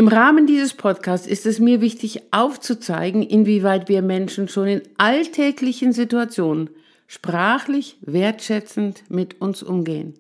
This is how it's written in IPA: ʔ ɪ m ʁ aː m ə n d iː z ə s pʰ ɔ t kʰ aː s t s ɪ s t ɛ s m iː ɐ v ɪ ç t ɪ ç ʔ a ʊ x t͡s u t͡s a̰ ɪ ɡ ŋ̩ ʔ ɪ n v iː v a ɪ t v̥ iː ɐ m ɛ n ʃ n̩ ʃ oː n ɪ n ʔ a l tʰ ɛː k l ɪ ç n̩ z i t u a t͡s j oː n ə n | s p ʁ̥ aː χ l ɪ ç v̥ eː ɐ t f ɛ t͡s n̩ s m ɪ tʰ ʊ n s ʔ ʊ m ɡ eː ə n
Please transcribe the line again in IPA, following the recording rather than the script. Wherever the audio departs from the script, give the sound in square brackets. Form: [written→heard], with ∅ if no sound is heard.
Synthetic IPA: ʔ ɪ m ʁ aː m ə n d iː z ə s pʰ ɔ t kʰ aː s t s ɪ s t ɛ s m iː ɐ v ɪ ç t ɪ ç ʔ a ʊ [x→f] t͡s u t͡s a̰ ɪ ɡ ŋ̩ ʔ ɪ n v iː v a ɪ t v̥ iː ɐ m ɛ n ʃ n̩ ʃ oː n ɪ n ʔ a l tʰ ɛː k l ɪ ç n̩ z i t u a t͡s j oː n ə n | [s→ʃ] p ʁ̥ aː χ l ɪ ç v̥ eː ɐ t [f→ʃ] ɛ t͡s n̩ [s→t] m ɪ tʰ ʊ n s ʔ ʊ m ɡ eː ə n